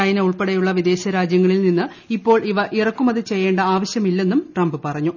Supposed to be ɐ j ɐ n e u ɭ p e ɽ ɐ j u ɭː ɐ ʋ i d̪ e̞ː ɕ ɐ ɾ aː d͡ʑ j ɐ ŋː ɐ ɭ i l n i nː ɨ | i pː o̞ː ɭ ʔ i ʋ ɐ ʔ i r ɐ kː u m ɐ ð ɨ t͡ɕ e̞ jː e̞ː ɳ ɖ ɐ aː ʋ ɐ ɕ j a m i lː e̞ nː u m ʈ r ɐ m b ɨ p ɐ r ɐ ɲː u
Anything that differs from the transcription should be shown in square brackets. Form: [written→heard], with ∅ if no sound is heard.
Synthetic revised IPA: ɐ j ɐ n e u ɭ p e ɽ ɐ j u ɭː ɐ ʋ i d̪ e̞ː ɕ ɐ ɾ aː d͡ʑ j ɐ ŋː ɐ ɭ i l n i nː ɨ | i pː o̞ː ɭ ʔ i ʋ ɐ ʔ i r ɐ kː u m ɐ ð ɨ t͡ɕ e̞ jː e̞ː ɳ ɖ ɐ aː ʋ ɐ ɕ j [a→ɐ] m i lː e̞ nː u m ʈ r ɐ m b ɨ p ɐ r ɐ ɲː u